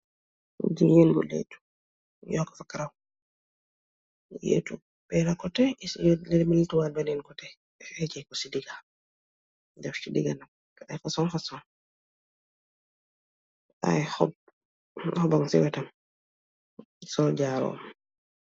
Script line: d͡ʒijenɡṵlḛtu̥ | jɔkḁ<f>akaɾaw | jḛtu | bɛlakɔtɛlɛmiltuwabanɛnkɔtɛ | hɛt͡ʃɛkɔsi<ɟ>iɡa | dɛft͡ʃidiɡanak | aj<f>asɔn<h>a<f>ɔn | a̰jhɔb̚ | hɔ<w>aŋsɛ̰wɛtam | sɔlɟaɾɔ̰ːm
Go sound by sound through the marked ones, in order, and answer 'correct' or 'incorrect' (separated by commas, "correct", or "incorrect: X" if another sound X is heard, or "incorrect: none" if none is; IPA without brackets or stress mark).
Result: correct, incorrect: d, correct, incorrect: f, incorrect: s, incorrect: b